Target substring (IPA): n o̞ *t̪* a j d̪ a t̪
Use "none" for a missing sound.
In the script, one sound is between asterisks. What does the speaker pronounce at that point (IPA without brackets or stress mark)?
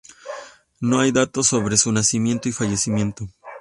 none